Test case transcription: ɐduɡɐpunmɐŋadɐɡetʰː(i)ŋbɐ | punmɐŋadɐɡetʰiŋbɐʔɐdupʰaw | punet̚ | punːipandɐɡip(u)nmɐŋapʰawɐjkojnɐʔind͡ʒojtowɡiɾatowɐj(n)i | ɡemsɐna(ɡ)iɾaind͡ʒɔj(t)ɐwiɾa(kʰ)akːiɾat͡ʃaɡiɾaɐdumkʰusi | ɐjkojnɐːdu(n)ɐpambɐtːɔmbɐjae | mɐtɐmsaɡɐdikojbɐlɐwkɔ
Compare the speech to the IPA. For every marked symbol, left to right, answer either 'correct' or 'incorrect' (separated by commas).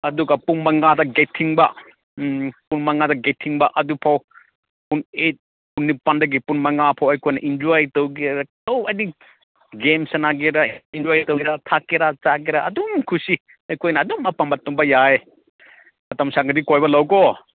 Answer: correct, correct, correct, correct, correct, incorrect, incorrect